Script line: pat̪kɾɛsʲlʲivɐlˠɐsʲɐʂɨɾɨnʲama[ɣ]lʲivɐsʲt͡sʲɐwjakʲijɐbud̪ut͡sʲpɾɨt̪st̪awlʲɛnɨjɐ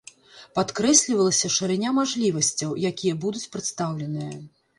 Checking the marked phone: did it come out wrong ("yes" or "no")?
yes